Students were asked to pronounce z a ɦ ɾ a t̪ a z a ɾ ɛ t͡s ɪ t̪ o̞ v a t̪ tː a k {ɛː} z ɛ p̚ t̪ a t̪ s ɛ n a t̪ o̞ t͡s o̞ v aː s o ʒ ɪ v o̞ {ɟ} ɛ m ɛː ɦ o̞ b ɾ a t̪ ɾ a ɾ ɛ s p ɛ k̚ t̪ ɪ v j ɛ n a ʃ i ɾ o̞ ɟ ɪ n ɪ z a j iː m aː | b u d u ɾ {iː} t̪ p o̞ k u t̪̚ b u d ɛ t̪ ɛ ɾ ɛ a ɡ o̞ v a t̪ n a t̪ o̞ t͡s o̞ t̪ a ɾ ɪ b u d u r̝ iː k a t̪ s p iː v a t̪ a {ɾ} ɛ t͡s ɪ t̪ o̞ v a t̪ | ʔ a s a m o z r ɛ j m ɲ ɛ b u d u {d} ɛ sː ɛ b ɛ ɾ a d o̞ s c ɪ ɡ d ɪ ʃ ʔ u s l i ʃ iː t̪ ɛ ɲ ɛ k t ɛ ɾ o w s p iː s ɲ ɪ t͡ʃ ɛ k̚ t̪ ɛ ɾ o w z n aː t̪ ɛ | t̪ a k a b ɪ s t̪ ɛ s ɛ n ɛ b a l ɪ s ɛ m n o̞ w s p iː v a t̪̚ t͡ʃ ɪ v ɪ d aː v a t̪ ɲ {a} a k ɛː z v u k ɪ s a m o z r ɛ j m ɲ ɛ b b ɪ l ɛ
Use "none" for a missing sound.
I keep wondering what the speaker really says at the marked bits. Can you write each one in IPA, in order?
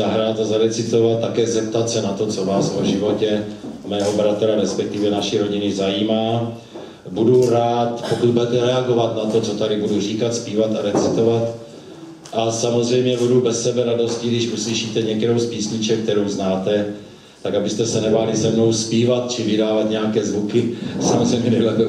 ɛː, c, aː, ɾ, b, ɛ

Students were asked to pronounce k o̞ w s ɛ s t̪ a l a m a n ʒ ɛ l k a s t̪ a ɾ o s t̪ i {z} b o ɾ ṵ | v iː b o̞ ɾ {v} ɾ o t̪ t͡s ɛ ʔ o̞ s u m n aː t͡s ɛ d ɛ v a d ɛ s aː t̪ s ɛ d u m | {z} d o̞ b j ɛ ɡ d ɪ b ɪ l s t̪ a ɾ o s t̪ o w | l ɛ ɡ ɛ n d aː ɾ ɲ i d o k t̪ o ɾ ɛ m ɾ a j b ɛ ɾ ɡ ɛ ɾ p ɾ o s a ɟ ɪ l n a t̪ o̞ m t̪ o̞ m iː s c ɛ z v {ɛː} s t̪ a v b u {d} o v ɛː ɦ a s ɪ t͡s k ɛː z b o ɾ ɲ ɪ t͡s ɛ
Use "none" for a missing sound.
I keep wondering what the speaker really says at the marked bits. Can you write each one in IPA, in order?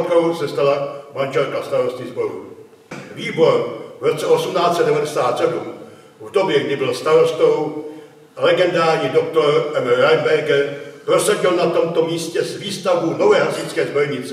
z, v, v, iː, n

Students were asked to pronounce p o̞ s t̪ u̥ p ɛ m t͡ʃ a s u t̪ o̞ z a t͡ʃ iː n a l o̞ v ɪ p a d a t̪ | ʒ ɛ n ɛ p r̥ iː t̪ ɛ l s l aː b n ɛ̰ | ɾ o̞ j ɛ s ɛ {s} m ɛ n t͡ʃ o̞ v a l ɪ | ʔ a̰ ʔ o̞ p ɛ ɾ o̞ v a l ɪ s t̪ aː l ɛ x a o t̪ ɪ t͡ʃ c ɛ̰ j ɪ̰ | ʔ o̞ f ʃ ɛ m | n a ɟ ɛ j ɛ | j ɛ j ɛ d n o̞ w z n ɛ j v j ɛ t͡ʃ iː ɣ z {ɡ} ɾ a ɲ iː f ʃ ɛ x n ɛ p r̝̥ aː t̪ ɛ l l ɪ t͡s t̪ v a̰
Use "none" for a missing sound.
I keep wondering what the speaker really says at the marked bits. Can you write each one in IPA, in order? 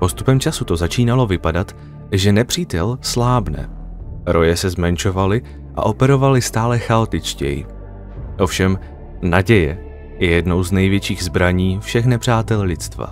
z, b

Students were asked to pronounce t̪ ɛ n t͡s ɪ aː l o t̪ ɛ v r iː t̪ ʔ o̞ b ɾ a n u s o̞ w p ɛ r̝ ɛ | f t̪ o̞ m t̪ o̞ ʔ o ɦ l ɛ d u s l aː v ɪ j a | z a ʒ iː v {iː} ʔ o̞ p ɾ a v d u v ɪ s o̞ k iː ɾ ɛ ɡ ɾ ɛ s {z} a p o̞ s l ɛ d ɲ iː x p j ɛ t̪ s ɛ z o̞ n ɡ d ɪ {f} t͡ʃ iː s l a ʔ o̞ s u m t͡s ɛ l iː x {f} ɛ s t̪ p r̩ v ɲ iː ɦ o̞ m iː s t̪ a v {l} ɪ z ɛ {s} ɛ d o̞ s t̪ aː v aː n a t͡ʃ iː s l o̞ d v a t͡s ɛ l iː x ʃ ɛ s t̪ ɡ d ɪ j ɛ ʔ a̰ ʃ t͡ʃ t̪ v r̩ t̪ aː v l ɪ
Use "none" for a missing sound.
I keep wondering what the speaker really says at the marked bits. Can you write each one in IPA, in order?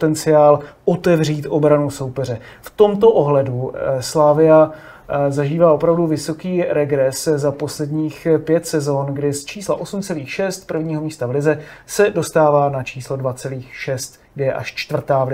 aː, z, s, ʃ, l, s

